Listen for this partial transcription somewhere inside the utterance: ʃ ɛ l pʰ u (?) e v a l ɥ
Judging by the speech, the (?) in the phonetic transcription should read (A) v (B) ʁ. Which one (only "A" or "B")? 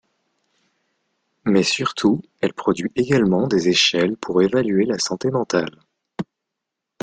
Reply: B